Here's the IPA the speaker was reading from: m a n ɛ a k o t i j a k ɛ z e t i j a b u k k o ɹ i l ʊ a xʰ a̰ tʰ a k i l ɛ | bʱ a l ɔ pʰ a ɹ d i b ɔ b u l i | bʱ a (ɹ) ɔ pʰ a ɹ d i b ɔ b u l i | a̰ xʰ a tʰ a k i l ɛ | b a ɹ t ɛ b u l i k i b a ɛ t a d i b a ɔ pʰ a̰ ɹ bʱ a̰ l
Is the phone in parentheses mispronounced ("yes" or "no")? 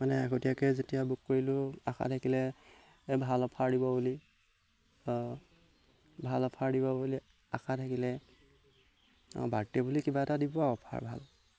yes